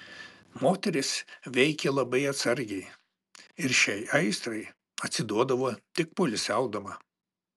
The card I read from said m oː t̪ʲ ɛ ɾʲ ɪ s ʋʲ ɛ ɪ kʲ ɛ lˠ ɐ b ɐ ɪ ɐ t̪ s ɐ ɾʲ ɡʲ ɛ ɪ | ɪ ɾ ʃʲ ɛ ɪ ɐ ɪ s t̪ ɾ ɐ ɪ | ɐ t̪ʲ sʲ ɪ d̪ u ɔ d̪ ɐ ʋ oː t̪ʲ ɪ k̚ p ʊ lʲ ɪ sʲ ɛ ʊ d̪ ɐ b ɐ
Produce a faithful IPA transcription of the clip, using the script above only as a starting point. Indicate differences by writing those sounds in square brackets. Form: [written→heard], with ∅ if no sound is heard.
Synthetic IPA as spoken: m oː t̪ʲ ɛ ɾʲ ɪ s ʋʲ ɛ ɪ kʲ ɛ lˠ ɐ b ɐ ɪ ɐ t̪ s ɐ ɾʲ ɡʲ ɛ ɪ | ɪ ɾ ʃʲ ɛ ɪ ɐ ɪ s t̪ ɾ ɐ ɪ | ɐ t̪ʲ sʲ ɪ d̪ u ɔ d̪ ɐ ʋ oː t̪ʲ ɪ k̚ p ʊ lʲ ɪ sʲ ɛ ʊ d̪ ɐ [b→m] ɐ